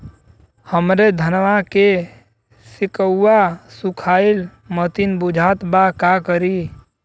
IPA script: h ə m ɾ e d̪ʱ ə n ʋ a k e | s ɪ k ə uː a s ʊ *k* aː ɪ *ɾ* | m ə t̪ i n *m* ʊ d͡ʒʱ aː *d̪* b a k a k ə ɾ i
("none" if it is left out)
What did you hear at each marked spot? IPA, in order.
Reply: kʰ, l, b, t̪

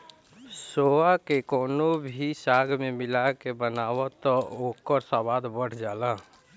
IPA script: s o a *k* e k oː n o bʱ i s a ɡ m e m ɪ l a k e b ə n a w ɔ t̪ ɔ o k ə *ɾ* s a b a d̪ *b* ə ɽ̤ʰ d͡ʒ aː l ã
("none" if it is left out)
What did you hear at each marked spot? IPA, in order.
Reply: k, ɾ, b

